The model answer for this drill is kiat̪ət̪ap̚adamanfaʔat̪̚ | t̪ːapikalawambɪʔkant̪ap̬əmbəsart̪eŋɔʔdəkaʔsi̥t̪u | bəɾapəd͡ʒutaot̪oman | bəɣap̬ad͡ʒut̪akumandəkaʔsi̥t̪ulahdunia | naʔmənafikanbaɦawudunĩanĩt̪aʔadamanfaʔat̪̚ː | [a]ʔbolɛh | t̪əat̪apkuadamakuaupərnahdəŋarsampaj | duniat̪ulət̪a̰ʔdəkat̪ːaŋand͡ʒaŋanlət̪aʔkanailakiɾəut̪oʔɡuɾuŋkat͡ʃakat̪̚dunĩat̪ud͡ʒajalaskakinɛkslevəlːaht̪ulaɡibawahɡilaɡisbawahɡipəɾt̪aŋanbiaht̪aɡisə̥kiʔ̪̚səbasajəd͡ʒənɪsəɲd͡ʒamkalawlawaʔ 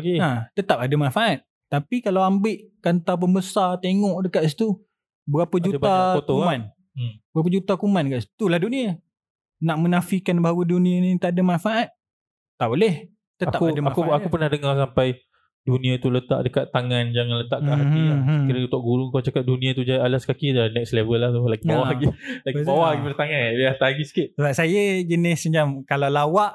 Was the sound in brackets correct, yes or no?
yes